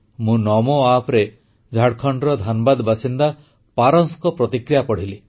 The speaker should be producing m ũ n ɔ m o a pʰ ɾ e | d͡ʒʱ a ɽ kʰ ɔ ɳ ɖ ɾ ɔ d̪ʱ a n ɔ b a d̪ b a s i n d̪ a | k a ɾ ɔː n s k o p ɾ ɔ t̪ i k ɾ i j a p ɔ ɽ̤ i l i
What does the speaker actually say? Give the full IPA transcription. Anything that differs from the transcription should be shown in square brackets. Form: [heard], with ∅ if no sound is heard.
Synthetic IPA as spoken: m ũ n ɔ m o a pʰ ɾ e | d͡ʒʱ a ɽ kʰ ɔ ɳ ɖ ɾ ɔ d̪ʱ a n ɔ b a d̪ b a s i n d̪ a | [p] a ɾ [ɔ] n s k [ɔ] p ɾ ɔ t̪ i k ɾ i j a p ɔ ɽ̤ i l i